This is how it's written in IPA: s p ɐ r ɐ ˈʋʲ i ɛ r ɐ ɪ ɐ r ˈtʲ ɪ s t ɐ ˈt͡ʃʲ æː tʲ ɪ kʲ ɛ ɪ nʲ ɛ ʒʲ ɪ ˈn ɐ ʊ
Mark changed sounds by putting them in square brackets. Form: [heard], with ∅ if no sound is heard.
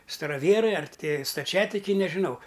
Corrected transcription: s [t] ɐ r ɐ ˈʋʲ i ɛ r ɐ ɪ ɐ r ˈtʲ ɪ s t ɐ ˈt͡ʃʲ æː tʲ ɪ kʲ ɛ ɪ nʲ ɛ ʒʲ ɪ ˈn ɐ ʊ

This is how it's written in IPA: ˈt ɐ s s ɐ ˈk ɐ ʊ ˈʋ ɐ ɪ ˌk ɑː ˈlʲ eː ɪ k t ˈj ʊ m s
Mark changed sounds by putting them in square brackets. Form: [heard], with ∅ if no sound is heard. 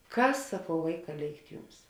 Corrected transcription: [ˈk] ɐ s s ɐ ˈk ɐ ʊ ˈʋ ɐ ɪ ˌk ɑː ˈlʲ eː ɪ k t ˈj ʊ m s

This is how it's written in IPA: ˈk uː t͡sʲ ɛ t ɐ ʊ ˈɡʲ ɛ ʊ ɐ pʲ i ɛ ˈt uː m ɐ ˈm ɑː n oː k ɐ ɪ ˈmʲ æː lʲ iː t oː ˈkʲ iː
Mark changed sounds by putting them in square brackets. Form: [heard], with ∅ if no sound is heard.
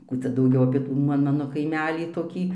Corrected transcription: ˈk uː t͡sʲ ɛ [d] ɐ ʊ ˈɡʲ ɛ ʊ ɐ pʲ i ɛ ˈt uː m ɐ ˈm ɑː n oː k ɐ ɪ ˈmʲ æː lʲ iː t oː ˈkʲ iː

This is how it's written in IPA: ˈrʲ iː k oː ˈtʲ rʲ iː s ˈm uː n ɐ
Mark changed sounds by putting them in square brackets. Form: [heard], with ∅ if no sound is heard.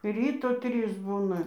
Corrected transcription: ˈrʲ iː [t] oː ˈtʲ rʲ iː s [ˈb] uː n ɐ

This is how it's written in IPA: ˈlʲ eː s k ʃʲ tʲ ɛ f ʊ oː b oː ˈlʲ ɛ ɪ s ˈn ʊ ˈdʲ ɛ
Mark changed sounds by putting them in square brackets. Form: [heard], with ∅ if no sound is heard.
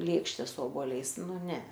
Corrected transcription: ˈlʲ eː [∅] k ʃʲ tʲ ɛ [s] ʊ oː b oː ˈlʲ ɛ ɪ s ˈn ʊ [ˈnʲ] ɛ

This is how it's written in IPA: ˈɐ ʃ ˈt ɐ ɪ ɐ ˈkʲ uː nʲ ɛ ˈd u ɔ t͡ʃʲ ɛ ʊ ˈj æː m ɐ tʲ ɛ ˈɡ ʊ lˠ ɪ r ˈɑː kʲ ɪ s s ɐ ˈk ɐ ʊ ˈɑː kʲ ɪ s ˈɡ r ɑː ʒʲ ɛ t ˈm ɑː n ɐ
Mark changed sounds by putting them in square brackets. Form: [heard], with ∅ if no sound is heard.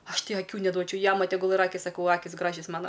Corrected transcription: ˈɐ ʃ ˈt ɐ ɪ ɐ ˈkʲ uː nʲ ɛ ˈd u ɔ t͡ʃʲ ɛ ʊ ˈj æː m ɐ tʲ ɛ ˈɡ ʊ lˠ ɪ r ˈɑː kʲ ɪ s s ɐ ˈk ɐ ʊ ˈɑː kʲ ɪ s ˈɡ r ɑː ʒʲ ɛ [s] ˈm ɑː n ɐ

